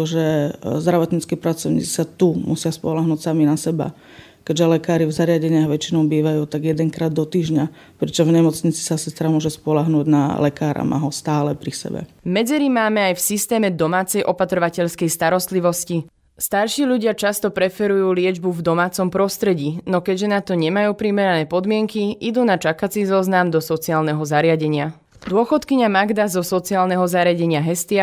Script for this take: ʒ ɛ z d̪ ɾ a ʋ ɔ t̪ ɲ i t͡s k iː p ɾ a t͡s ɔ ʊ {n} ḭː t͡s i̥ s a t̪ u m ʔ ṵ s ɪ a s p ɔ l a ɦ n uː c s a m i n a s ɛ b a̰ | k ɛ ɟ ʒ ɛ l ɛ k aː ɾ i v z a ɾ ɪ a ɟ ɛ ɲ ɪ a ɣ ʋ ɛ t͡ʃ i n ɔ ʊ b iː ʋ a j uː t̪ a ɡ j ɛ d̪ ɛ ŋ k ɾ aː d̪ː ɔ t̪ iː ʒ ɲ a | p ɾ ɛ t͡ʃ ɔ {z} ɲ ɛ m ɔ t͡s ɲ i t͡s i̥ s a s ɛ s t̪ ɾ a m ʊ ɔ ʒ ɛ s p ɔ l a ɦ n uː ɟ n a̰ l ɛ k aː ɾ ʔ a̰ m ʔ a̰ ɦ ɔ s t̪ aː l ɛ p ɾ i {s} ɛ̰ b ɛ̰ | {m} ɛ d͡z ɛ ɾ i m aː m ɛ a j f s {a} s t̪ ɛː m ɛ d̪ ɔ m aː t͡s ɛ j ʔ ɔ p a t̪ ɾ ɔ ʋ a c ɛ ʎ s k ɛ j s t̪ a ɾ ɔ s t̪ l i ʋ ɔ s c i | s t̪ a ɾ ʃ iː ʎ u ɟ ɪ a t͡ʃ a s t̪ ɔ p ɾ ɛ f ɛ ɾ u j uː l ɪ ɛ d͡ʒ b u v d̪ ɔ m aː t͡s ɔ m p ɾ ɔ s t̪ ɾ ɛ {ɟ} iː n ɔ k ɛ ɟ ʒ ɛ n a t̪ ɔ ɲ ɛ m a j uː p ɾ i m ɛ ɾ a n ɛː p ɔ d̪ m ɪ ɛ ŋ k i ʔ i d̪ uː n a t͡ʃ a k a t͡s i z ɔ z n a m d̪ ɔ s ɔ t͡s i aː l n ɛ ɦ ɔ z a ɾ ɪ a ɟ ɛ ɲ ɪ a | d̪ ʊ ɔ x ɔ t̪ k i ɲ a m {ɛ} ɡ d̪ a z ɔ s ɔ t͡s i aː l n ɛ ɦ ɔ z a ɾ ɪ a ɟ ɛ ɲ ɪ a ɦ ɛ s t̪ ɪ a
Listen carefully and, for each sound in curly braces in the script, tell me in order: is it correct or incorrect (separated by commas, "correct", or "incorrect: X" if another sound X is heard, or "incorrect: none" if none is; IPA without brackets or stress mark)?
incorrect: ɲ, incorrect: v, correct, correct, incorrect: i, correct, incorrect: a